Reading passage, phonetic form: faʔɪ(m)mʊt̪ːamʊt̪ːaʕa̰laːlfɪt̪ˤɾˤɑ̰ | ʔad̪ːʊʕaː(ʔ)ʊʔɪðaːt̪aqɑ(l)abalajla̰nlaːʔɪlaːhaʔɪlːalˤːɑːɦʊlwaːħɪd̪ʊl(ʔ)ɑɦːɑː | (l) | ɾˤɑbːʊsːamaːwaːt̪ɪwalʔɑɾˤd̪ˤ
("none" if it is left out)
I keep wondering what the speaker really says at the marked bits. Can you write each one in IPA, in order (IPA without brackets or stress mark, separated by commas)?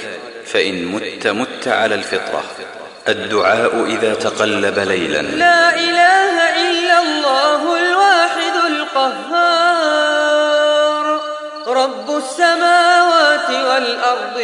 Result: n, ʔ, lː, q, ɾ